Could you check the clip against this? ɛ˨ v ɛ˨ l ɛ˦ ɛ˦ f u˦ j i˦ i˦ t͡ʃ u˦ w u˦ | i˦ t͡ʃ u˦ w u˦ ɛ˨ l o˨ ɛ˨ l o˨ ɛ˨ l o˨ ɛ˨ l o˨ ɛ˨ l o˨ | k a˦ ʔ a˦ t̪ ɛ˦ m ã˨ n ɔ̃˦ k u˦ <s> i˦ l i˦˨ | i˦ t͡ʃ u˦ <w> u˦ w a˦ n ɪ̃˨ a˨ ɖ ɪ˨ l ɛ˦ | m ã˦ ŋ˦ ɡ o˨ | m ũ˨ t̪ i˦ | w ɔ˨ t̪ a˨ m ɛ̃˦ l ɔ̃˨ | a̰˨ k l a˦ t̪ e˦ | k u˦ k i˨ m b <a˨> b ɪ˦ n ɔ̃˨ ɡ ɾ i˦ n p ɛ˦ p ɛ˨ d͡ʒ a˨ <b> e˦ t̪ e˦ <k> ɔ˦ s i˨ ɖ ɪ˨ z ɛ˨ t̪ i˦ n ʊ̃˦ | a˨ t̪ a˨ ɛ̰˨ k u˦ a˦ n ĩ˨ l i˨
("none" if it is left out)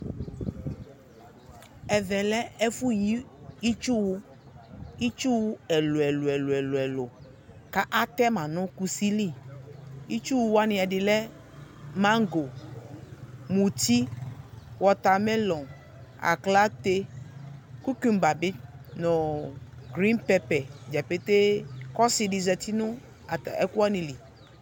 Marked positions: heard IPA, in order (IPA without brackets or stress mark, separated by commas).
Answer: s, w, a˨, p, k